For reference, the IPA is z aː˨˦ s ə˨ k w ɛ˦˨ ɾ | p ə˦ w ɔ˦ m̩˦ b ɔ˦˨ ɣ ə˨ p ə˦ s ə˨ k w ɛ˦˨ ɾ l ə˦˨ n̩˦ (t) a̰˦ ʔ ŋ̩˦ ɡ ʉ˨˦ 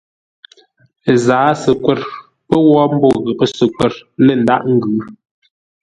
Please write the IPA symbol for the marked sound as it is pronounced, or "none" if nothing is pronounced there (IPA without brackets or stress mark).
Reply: d